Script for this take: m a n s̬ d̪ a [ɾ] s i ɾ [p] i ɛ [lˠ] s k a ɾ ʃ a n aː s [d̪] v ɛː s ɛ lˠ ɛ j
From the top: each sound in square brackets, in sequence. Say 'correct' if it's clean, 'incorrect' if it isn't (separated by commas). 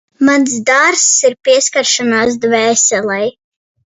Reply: correct, correct, incorrect, correct